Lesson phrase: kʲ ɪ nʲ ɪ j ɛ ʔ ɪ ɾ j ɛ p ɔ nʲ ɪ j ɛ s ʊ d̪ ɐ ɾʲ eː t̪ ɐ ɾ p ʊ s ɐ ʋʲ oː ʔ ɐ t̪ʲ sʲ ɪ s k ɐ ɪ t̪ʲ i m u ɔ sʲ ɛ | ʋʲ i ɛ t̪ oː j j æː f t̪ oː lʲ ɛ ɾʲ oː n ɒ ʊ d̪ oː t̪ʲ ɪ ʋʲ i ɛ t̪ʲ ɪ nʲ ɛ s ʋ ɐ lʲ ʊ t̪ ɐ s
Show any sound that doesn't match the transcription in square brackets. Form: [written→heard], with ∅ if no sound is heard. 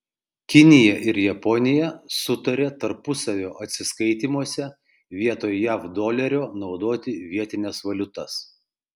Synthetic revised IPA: kʲ ɪ nʲ ɪ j ɛ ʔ ɪ ɾ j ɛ p ɔ nʲ ɪ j ɛ s ʊ [d̪→t̪] ɐ ɾʲ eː t̪ ɐ ɾ p ʊ s ɐ ʋʲ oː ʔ ɐ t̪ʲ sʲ ɪ s k ɐ ɪ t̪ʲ i m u ɔ sʲ ɛ | ʋʲ i ɛ t̪ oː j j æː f [t̪→d̪] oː lʲ ɛ ɾʲ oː n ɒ ʊ d̪ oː t̪ʲ ɪ ʋʲ i ɛ t̪ʲ ɪ nʲ ɛ s ʋ ɐ lʲ ʊ t̪ ɐ s